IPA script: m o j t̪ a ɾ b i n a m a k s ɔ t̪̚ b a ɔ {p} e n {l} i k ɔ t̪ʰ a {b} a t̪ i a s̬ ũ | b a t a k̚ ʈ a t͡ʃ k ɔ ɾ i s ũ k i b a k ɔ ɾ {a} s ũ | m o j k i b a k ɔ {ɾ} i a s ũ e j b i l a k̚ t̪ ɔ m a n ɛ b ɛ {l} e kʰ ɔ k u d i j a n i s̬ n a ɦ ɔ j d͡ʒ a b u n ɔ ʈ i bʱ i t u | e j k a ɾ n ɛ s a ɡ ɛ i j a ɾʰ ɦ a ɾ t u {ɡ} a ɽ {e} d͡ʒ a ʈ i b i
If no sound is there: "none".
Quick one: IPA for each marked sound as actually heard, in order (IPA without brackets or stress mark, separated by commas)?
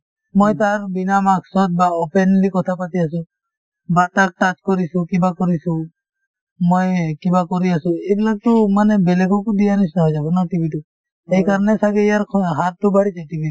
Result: p, l, p, i, ɾ, l, b, i